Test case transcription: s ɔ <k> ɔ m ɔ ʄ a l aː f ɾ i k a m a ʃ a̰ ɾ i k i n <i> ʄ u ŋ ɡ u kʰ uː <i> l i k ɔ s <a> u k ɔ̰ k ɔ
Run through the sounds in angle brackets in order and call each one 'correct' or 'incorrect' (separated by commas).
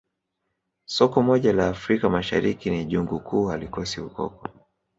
correct, correct, incorrect, incorrect